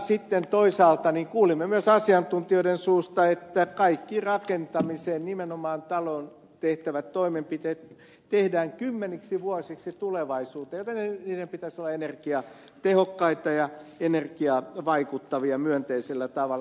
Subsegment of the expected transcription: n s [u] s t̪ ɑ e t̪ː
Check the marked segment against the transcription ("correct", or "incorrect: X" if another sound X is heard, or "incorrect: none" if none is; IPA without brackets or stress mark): incorrect: uː